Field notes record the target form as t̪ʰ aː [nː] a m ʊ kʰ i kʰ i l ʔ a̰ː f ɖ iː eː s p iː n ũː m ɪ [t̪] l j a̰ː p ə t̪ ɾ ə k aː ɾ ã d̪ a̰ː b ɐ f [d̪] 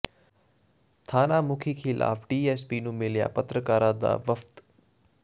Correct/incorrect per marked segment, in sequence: incorrect: n, incorrect: none, incorrect: t̪

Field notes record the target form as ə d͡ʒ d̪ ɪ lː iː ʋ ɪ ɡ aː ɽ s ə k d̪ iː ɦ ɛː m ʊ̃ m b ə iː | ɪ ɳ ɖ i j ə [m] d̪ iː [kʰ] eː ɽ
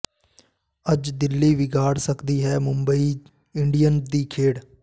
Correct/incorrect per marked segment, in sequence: incorrect: n, correct

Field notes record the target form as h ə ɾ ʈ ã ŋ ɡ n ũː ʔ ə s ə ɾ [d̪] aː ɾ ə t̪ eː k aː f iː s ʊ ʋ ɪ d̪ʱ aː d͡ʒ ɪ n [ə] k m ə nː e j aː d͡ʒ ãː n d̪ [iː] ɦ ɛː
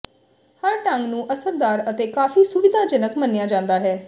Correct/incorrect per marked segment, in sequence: correct, correct, incorrect: aː

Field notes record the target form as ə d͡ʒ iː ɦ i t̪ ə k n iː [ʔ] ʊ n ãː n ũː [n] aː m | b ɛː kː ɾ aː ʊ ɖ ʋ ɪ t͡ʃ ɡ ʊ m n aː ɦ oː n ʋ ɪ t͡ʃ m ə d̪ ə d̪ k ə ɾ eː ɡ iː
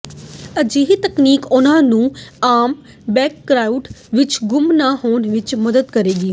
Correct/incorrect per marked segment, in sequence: incorrect: k, incorrect: none

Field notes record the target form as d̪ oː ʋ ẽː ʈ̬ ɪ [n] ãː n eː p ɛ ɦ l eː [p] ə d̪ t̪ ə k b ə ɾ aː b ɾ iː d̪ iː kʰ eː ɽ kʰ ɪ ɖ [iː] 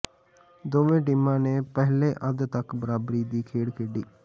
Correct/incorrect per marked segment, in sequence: incorrect: m, incorrect: ʔ, correct

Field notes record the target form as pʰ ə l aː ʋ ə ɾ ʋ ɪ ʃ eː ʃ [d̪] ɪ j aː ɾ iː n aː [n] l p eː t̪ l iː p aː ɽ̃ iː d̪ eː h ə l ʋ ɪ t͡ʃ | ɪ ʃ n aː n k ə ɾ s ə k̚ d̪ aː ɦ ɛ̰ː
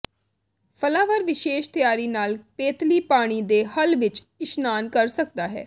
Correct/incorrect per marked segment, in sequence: incorrect: t̪, incorrect: none

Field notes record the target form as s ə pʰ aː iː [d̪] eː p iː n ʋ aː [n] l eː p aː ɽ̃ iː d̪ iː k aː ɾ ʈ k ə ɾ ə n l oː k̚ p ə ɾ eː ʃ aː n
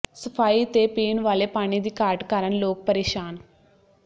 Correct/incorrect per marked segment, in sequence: incorrect: t̪, incorrect: none

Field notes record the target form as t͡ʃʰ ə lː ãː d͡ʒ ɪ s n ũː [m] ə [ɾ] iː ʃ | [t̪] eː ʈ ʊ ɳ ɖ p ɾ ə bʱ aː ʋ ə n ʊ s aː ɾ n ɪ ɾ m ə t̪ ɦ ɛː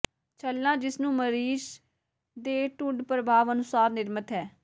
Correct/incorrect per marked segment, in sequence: correct, correct, incorrect: d̪

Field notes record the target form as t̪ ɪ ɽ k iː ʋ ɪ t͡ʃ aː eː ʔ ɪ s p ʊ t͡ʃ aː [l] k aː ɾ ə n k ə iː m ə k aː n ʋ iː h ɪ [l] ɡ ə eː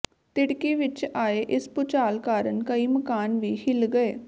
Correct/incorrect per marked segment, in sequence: correct, correct

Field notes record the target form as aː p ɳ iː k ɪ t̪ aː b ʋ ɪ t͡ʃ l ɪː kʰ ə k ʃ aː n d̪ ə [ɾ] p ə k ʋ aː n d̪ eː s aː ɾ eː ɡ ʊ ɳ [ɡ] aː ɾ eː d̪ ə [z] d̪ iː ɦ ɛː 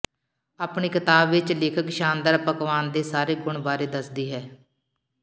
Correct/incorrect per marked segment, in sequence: correct, incorrect: b, incorrect: s

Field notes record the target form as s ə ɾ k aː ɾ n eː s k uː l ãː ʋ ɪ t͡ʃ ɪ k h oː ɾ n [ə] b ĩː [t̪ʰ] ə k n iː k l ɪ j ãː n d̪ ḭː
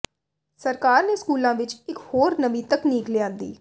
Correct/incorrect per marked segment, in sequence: correct, incorrect: t̪

